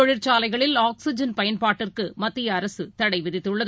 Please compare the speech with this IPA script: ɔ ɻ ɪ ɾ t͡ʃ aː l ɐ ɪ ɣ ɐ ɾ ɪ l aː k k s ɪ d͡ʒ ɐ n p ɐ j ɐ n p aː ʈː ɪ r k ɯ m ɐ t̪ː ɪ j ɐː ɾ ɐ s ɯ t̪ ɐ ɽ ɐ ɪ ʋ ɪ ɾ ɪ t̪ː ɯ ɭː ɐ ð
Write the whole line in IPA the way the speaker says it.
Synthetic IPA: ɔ ɻ ɪ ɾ t͡ʃ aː l ɐ ɪ ɣ ɐ ɭ ɪ l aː k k s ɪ d͡ʒ ɐ n p ɐ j ɐ n p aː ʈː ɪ r k ɯ m ɐ t̪ː ɪ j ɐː ɾ ɐ s ɯ t̪ ɐ ɽ ɐ ɪ ʋ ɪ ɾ ɪ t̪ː ɯ ɭː ɐ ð

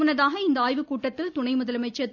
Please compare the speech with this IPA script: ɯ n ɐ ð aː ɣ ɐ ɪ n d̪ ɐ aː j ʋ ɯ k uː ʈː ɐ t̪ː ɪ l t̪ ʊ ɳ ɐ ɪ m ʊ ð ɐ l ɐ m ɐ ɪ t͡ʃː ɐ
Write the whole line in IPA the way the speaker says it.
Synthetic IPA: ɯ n ɐ ð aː ɣ ɐ ɪ n d̪ ɐ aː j ʋ ɯ k uː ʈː ɐ t̪ː ɪ l t̪ ʊ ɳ ɐ ɪ m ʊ ð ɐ l ɐ m ɐ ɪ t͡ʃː ɐ

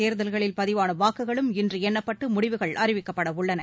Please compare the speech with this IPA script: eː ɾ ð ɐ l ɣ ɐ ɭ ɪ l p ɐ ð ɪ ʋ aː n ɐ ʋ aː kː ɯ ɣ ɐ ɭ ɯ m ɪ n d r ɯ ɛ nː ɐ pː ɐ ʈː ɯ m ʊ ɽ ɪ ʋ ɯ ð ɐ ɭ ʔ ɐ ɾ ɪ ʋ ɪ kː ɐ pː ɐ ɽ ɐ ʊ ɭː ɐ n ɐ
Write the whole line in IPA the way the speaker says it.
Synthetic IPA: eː ɾ ð ɐ l ɣ ɐ ɭ ɪ l p ɐ ð ɪ ʋ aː n ɐ ʋ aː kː ɯ ɣ ɐ ɭ ɯ m ɪ n d r ɯ ɛ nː ɐ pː ɐ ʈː ɯ m ʊ ɽ ɪ ʋ ɯ ɣ ɐ ɭ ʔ ɐ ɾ ɪ ʋ ɪ kː ɐ pː ɐ ɽ ɐ ʊ ɭː ɐ n ɐ

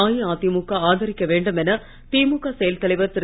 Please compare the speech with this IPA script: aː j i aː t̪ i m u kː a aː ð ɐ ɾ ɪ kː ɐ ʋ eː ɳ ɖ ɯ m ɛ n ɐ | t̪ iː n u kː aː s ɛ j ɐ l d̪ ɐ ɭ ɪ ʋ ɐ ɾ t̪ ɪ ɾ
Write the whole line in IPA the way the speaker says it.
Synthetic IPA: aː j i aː t̪ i m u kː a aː ð ɐ ɾ ɪ kː ɐ ʋ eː ɳ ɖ ɯ m ɛ n ɐ | t̪ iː m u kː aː s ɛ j ɐ l t̪ ɐ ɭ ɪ ʋ ɐ ɾ t̪ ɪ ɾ

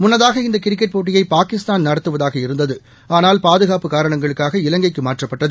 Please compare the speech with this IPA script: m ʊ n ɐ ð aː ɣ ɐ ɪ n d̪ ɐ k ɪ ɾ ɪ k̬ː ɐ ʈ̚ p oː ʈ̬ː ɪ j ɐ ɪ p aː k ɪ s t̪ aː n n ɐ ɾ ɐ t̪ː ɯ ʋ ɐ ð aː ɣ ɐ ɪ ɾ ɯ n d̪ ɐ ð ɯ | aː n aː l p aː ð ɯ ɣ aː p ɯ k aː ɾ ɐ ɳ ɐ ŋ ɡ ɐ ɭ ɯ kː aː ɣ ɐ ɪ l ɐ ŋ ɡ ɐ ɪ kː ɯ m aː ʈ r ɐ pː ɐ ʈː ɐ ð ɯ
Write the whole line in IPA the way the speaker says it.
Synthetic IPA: m ʊ nː ɐ ð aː ɣ ɐ ɪ n d̪ ɐ k ɪ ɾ ɪ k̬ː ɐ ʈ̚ p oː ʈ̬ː ɪ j ɐ ɪ p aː k ɪ s t̪ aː n n ɐ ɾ ɐ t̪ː ɯ ʋ ɐ ð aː ɣ ɐ ɪ ɾ ɯ n d̪ ɐ ð ɯ | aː n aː l p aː ð ɯ ɣ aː p ɯ k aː ɾ ɐ ɳ ɐ ŋ ɡ ɐ ɭ ɯ kː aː ɣ ɐ ɪ l ɐ ŋ ɡ ɐ ɪ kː ɯ m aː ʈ r ɐ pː ɐ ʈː ɐ ð ɯ

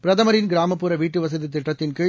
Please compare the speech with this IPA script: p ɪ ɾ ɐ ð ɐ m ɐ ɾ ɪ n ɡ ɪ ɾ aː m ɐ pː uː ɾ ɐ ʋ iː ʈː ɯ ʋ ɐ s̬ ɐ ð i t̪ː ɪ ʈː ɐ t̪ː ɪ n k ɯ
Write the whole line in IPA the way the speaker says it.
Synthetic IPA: p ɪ ɾ ɐ ð ɐ m ɐ ɾ ɪ n ɡ ɪ ɾ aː m ɐ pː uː ɾ ɐ ʋ iː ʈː ɯ ʋ ɐ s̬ ɐ ð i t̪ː ɪ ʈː ɐ t̪ː ɪ n k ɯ

